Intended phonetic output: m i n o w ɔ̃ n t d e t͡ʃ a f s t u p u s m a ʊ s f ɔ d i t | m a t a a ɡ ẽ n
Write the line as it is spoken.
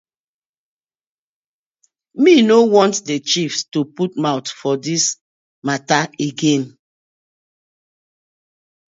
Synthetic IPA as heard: m i n o w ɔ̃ n t d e t͡ʃ i f s t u p u t m a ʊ t f ɔ d i s | m a t a e ɡ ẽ n